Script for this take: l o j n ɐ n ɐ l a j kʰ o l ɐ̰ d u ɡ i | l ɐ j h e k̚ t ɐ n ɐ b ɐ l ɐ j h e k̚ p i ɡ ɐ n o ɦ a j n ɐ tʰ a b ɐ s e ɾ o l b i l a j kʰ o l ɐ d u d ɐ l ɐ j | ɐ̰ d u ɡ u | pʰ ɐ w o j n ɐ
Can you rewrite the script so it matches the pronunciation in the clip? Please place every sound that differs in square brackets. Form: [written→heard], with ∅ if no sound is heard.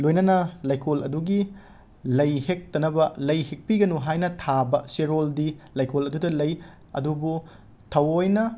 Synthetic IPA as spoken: l o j n ɐ n ɐ l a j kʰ o l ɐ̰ d u ɡ i | l ɐ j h e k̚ t ɐ n ɐ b ɐ l ɐ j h e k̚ p i ɡ ɐ n [o→u] ɦ a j n ɐ tʰ a b ɐ s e ɾ o l [b→d] i l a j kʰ o l ɐ d u d ɐ l ɐ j | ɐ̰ d u [ɡ→b] u | [pʰ→tʰ] ɐ w o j n ɐ